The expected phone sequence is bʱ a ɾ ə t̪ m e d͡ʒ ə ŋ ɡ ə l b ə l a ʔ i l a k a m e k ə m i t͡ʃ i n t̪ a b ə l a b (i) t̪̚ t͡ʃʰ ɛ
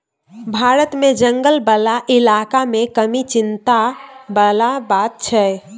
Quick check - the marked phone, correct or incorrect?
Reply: incorrect: a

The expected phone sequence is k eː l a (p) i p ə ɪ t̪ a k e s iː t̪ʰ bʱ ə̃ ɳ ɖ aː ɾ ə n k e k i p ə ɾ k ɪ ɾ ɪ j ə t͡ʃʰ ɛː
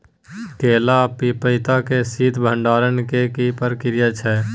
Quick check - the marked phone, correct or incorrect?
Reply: correct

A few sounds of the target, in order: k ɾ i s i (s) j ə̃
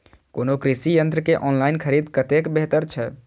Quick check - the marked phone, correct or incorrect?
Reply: incorrect: none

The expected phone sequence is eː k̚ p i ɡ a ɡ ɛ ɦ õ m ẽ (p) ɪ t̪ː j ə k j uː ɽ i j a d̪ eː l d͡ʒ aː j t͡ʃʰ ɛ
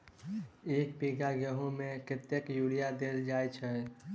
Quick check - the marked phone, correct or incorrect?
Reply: incorrect: k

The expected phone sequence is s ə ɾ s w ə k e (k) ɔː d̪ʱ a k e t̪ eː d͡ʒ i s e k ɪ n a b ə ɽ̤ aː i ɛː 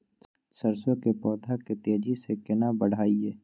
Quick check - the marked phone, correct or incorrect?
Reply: incorrect: p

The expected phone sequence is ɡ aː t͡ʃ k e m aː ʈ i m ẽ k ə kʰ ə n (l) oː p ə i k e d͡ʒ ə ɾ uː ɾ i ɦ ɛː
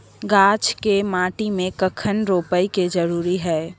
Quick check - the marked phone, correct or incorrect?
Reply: incorrect: ɾ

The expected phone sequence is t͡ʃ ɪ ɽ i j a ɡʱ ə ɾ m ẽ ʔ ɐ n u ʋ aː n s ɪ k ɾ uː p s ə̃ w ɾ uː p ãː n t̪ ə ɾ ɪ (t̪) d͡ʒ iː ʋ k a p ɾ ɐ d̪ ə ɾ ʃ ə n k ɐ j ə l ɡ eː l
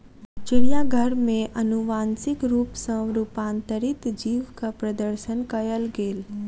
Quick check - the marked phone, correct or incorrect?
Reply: correct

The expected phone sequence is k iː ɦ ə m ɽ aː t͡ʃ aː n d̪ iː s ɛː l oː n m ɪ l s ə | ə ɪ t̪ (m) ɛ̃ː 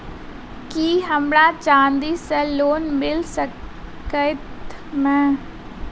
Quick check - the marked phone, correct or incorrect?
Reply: correct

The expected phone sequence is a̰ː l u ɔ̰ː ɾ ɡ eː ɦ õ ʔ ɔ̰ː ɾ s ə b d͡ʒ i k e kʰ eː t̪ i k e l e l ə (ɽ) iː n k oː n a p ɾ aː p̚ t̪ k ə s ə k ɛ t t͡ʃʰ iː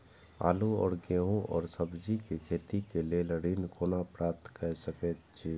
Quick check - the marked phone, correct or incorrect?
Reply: correct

